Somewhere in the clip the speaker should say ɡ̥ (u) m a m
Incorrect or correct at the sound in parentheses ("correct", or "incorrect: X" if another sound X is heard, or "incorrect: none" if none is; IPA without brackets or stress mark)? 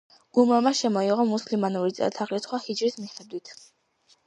correct